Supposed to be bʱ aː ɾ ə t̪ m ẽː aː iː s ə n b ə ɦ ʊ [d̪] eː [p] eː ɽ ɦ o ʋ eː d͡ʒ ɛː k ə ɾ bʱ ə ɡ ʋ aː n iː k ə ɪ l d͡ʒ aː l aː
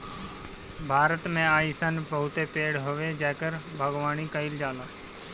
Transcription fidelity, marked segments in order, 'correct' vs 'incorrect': incorrect: t̪, correct

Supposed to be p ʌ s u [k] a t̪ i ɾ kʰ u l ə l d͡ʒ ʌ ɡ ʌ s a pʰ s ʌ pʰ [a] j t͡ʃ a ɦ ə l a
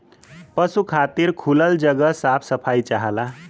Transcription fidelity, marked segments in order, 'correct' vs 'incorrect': incorrect: kʰ, correct

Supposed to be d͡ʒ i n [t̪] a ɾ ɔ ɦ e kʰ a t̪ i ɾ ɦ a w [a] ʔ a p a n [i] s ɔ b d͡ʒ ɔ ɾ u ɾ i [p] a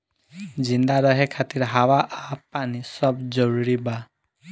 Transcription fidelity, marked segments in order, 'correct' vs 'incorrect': incorrect: d̪, correct, correct, incorrect: b

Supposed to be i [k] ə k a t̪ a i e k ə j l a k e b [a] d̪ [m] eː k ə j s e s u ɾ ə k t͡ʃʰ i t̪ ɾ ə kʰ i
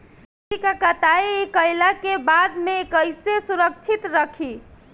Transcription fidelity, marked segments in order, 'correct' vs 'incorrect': correct, correct, correct

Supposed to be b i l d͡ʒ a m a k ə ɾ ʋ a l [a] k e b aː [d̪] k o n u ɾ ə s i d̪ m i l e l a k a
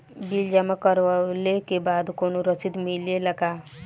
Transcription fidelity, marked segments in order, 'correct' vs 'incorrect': incorrect: e, correct

